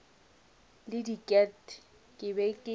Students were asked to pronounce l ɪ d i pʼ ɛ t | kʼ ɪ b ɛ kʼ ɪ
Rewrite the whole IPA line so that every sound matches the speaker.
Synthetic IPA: l ɪ d i kʼ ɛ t | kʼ ɪ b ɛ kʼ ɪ